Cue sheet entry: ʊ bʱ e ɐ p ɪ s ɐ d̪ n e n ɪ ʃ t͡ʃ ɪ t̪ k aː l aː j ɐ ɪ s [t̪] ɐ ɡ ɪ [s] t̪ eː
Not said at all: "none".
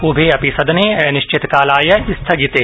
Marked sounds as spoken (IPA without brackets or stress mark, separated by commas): t̪ʰ, none